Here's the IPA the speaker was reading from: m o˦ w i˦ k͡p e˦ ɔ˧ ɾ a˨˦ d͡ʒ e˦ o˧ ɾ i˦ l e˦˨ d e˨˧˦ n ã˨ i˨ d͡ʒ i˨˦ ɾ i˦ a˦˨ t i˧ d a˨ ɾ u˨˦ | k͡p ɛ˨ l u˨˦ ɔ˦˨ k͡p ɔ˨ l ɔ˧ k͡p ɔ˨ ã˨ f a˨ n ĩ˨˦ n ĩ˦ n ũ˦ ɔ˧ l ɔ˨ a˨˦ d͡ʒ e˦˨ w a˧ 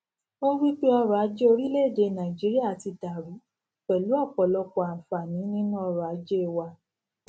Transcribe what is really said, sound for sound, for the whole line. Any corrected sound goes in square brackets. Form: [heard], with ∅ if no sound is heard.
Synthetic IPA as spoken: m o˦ w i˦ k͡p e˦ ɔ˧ ɾ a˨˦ d͡ʒ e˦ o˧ ɾ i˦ l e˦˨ d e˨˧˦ n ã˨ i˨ d͡ʒ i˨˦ ɾ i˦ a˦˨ t i˧ d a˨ ɾ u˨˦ | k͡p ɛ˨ l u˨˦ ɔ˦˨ k͡p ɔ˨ l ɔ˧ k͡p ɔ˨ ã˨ f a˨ n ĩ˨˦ n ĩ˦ n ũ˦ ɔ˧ [ɾ] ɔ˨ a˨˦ d͡ʒ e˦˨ w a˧